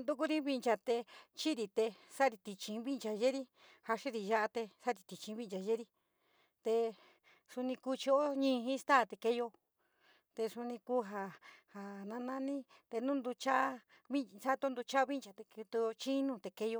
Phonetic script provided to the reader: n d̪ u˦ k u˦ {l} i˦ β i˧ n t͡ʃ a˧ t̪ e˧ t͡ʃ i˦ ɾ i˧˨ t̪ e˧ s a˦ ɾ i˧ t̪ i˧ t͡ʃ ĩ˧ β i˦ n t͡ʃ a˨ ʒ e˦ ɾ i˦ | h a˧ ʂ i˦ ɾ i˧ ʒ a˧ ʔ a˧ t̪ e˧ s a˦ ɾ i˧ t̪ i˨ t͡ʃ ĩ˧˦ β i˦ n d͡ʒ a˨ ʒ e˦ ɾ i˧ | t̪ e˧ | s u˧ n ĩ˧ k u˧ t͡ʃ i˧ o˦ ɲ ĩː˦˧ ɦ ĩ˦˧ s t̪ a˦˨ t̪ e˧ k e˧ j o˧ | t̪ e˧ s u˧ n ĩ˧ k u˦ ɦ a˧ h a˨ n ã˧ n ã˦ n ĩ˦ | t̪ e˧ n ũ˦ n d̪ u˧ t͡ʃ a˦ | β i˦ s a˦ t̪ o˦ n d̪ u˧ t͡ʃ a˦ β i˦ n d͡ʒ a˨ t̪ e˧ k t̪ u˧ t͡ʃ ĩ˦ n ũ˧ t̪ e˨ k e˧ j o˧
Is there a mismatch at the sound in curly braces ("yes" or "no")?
yes